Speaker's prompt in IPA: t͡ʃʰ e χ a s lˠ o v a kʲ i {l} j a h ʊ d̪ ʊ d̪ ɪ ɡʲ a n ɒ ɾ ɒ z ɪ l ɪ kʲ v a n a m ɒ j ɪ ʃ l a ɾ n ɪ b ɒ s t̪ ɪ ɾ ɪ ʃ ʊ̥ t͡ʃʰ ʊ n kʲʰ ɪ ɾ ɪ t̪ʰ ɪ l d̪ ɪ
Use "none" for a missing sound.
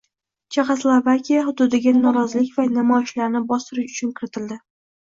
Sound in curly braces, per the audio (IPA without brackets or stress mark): none